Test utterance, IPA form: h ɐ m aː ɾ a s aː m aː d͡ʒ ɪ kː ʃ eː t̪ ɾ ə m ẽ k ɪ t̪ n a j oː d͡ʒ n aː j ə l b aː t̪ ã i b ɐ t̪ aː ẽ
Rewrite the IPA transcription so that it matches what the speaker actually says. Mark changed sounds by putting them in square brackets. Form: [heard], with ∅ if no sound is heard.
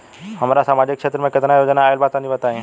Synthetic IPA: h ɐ m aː ɾ a s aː m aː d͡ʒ ɪ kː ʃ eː t̪ ɾ ə m ẽ k ɪ t̪ n a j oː d͡ʒ n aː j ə l b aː t̪ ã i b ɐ t̪ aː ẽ